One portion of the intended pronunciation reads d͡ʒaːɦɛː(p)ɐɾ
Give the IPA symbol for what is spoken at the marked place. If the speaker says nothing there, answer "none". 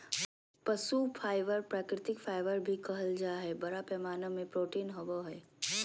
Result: b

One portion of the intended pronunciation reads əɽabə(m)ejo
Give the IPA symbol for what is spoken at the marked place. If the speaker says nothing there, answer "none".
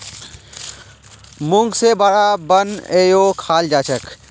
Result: n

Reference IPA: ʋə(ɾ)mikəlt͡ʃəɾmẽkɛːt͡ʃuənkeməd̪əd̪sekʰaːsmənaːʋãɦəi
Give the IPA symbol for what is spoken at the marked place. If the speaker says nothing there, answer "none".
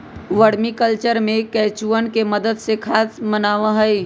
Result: ɽ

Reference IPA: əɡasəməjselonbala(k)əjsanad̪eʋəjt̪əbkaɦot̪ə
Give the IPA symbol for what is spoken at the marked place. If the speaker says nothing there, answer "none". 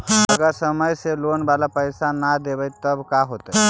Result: p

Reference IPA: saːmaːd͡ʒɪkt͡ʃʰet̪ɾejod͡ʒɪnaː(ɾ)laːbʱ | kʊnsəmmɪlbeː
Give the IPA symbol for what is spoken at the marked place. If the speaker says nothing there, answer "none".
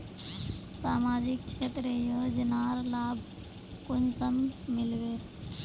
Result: ɾ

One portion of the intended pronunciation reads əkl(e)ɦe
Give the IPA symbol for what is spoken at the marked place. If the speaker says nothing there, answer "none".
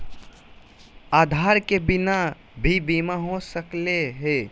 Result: e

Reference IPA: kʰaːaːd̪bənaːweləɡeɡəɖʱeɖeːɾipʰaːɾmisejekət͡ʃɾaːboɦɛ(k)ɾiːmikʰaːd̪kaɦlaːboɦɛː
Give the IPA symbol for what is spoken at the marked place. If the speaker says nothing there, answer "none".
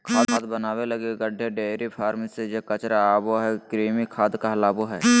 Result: k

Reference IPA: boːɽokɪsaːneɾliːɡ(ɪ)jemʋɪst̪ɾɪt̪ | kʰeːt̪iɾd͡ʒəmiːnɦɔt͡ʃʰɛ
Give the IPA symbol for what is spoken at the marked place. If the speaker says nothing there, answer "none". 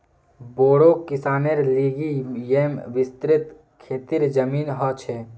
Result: i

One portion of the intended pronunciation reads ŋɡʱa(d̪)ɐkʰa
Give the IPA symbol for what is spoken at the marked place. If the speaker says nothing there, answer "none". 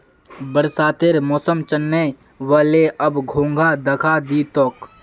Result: d̪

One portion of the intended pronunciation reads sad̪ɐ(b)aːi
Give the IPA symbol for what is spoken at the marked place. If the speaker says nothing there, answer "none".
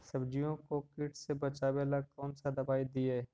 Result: b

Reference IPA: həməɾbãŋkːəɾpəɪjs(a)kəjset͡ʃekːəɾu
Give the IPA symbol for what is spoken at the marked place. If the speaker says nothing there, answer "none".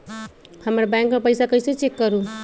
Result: a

